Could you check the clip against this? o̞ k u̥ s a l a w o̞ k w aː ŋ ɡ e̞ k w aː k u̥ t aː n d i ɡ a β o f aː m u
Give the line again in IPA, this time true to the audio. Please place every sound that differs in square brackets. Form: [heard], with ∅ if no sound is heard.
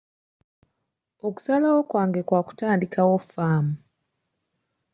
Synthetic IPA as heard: o̞ k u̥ s a l a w o̞ k w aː ŋ ɡ e̞ k w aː k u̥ t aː n d i [k] a [w] o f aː m u